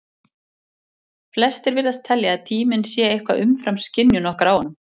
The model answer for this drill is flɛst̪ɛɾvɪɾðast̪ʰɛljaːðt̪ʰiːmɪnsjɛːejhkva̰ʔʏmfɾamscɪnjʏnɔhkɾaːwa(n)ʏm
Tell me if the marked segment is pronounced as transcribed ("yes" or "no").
yes